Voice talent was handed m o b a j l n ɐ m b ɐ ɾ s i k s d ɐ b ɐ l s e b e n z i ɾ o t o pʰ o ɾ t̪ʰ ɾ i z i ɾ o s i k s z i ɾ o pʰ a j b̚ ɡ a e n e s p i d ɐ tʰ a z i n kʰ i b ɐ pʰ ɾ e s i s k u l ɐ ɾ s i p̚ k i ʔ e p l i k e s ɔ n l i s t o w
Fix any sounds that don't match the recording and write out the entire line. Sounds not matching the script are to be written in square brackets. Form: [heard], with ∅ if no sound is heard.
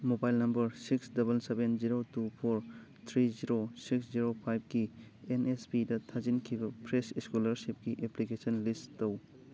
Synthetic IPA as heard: m o b a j l n ɐ m b ɐ ɾ s i k s d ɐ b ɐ l s e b e n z i ɾ o t [u] pʰ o ɾ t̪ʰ ɾ i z i ɾ o s i k s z i ɾ o pʰ a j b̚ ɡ [i] e n e s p i d ɐ tʰ a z i n kʰ i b ɐ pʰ ɾ e s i s k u l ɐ ɾ s i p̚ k i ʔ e p l i k e s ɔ n l i s t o w

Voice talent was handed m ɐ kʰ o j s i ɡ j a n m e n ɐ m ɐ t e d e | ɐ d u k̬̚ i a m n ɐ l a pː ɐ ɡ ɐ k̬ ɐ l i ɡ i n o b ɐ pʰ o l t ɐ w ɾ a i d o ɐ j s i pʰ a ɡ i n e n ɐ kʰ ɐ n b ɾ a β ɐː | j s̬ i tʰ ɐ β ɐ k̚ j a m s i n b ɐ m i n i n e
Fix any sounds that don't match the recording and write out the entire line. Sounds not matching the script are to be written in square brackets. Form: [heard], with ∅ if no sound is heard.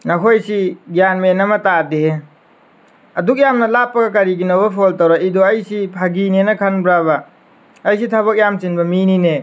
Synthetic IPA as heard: [n] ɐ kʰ o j s i ɡ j a n m e n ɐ m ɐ t [a] d e | ɐ d u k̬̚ [j] a m n ɐ l a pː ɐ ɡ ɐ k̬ ɐ [ɾ] i ɡ i n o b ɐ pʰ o l t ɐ w ɾ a i d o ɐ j s i pʰ a ɡ i n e n ɐ kʰ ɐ n b ɾ a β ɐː | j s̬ i tʰ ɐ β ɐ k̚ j a m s i n b ɐ m i n i n e

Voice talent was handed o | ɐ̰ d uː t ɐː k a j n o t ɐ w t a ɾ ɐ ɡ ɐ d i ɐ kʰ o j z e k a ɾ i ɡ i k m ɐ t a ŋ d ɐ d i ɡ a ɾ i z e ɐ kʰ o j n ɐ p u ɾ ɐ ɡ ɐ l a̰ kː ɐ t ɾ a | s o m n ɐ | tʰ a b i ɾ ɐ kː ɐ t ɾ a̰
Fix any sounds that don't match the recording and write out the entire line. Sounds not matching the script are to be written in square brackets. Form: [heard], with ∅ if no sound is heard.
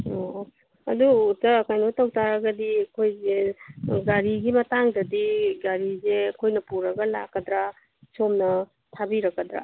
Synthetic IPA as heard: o | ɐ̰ d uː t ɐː k a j n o t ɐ w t a ɾ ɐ ɡ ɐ d i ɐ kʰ o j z e [ɡ] a ɾ i ɡ i [∅] m ɐ t a ŋ d ɐ d i ɡ a ɾ i z e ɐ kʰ o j n ɐ p u ɾ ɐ ɡ ɐ l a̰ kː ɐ [d] ɾ a | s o m n ɐ | tʰ a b i ɾ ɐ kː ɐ [d] ɾ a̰

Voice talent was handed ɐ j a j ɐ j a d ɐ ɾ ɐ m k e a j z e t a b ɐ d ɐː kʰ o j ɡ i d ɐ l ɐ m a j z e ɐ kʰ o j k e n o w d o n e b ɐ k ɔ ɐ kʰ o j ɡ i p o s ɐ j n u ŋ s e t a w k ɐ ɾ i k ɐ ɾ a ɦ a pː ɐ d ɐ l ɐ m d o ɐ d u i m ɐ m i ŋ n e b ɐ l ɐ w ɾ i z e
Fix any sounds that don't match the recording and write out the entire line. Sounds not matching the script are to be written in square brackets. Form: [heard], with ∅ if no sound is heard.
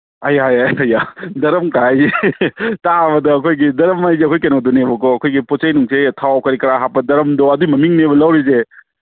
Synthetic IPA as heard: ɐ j a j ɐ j a d ɐ ɾ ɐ m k [a] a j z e t a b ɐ d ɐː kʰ o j ɡ i d ɐ [ɾ] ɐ m a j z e ɐ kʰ o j k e n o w d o n e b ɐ k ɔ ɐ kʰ o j ɡ i p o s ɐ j n u ŋ s e [tʰ] a w k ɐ ɾ i k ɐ ɾ a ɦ a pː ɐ d ɐ [ɾ] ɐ m d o ɐ d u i m ɐ m i ŋ n e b ɐ l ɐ w ɾ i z e

